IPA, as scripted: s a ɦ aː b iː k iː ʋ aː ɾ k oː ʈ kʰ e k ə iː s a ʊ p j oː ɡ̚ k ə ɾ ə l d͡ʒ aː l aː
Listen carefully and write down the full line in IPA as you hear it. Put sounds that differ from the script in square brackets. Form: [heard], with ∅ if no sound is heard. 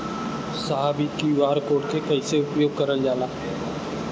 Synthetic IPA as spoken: s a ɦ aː b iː k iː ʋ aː ɾ k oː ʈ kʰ e k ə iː s [e] ʊ p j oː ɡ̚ k ə ɾ ə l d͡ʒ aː l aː